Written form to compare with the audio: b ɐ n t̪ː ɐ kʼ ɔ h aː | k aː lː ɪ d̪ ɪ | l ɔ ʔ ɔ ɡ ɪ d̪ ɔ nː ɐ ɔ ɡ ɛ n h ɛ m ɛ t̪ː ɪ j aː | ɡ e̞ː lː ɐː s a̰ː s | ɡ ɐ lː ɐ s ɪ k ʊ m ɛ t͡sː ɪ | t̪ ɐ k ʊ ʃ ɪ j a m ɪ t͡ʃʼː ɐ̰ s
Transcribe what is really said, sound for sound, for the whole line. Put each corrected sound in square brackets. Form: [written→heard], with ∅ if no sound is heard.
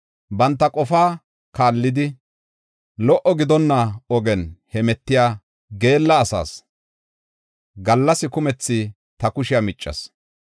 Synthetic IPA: b ɐ n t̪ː ɐ kʼ ɔ [h→f] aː | k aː lː ɪ d̪ ɪ | l ɔ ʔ ɔ ɡ ɪ d̪ ɔ nː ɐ ɔ ɡ ɛ n h ɛ m ɛ t̪ː ɪ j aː | ɡ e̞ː lː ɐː s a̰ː s | ɡ ɐ lː ɐ s ɪ k ʊ m ɛ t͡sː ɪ | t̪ ɐ k ʊ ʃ ɪ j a m ɪ t͡ʃʼː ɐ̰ s